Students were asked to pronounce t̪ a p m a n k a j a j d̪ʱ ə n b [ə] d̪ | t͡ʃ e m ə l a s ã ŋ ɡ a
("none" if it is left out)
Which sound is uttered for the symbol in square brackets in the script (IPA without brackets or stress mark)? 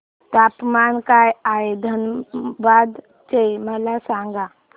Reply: a